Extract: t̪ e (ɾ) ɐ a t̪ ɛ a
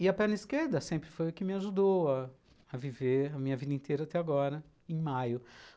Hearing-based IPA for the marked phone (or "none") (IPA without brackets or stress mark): ɾ